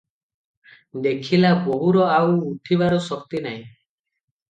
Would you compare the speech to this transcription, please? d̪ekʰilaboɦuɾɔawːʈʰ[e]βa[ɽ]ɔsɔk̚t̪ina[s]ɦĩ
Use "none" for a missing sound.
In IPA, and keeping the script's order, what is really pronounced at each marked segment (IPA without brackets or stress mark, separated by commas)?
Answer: i, ɾ, none